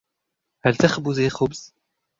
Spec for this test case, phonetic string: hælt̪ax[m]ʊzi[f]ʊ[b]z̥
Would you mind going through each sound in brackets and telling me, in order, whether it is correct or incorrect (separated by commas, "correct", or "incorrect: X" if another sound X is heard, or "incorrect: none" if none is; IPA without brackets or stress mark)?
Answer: incorrect: b, incorrect: x, correct